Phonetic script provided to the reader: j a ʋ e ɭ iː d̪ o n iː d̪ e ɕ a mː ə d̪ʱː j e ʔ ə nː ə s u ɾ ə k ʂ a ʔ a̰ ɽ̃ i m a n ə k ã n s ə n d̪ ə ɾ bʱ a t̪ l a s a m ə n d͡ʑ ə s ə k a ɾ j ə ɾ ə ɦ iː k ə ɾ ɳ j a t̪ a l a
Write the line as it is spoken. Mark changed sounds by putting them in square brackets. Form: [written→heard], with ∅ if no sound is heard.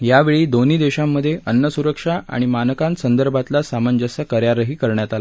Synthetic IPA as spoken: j a ʋ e ɭ iː d̪ o n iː d̪ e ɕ a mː ə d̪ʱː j e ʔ ə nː ə s u ɾ ə k ʂ a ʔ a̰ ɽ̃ i m a n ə k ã n s ə n d̪ ə ɾ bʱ a t̪ l a s a m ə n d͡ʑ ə s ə k [a→ə] ɾ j [ə→a] ɾ ə ɦ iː k ə ɾ ɳ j a t̪ a l a